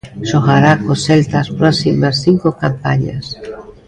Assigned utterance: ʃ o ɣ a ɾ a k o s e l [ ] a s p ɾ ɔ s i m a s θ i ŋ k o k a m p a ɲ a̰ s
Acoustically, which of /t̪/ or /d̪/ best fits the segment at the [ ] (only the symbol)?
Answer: t̪